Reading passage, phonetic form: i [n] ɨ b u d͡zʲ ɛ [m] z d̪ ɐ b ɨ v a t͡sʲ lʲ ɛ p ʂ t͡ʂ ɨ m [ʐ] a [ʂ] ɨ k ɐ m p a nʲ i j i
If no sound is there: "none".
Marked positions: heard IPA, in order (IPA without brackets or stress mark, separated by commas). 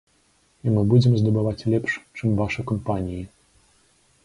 m, m, v, ʂ